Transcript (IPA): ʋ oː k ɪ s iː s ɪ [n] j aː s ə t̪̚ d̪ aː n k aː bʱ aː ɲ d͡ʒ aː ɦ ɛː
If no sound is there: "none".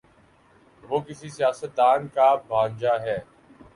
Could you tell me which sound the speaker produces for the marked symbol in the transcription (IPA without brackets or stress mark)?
none